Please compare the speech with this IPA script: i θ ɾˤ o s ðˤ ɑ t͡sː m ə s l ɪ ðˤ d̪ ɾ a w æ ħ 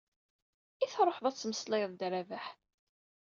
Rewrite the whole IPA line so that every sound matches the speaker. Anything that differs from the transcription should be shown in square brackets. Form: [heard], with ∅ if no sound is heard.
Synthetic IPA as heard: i θ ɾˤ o [ħ] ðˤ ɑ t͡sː m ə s l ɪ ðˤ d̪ ɾ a [v] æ ħ